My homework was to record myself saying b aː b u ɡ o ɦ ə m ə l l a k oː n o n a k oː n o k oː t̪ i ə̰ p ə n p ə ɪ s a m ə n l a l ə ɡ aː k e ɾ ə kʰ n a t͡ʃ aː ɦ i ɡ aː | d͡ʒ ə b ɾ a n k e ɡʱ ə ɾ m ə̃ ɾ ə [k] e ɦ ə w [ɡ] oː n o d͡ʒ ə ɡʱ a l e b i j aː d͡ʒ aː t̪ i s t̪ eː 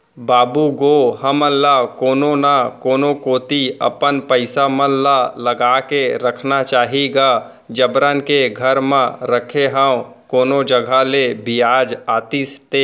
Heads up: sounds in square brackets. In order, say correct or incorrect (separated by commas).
incorrect, incorrect